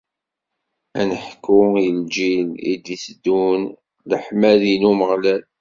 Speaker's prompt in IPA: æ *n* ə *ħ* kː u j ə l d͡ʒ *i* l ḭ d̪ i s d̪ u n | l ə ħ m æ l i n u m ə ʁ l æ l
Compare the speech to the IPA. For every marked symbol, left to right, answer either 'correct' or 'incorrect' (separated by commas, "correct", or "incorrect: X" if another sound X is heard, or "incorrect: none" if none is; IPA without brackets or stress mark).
correct, correct, correct